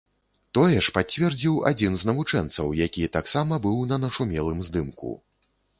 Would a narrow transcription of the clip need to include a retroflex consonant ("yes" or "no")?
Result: yes